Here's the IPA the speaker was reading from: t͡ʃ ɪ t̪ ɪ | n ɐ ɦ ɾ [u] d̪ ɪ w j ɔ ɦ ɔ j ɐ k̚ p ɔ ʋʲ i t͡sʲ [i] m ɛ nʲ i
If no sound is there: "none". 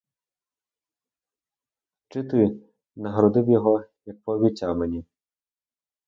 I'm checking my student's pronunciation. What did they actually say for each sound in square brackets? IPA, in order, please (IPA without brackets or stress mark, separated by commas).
ɔ, a